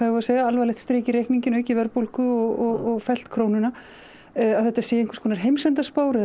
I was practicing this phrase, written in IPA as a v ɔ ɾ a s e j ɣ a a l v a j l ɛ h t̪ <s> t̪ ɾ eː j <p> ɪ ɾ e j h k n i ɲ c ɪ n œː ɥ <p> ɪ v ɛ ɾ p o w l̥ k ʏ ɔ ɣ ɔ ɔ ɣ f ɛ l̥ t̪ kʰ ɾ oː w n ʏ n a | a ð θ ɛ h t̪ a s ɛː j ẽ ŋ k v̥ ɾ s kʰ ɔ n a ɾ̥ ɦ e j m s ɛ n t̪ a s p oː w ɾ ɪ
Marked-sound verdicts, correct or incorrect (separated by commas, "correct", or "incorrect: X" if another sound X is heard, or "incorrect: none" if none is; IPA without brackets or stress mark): correct, incorrect: c, incorrect: c